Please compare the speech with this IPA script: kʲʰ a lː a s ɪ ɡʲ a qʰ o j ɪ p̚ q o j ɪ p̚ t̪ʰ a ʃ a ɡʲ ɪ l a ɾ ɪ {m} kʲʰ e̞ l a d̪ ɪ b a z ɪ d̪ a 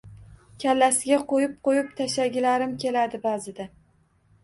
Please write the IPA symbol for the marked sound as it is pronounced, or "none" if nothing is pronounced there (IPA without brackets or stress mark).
m